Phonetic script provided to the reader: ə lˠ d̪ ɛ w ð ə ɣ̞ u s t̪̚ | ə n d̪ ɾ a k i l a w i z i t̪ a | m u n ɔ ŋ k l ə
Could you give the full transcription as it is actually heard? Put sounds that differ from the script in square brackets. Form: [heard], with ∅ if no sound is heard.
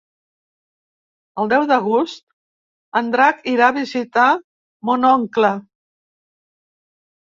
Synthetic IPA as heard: ə lˠ d̪ ɛ w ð ə ɣ̞ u s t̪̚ | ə n d̪ ɾ a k i [ɾ] a [β] i z i t̪ a | m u n ɔ ŋ k l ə